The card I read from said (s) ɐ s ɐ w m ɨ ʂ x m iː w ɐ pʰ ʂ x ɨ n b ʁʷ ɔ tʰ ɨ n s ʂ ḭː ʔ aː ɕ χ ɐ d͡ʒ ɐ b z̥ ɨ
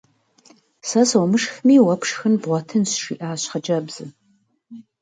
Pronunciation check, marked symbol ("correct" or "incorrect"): correct